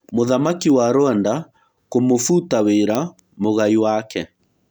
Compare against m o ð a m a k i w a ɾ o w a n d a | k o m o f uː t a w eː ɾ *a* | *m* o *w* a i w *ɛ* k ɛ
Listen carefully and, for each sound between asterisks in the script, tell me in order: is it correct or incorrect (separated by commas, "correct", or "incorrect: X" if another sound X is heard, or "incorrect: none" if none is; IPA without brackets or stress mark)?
correct, correct, incorrect: ɣ, incorrect: a